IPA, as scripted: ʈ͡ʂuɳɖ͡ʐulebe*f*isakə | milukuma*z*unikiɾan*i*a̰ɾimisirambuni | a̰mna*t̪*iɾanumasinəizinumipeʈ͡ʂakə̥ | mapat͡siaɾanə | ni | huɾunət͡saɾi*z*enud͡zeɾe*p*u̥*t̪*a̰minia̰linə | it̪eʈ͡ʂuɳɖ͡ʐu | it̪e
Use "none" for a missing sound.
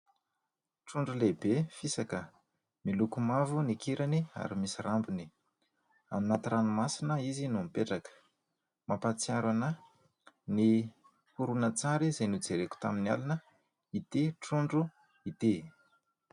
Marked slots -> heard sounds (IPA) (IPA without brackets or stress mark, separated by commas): f, v, i, t̪, z, k, t̪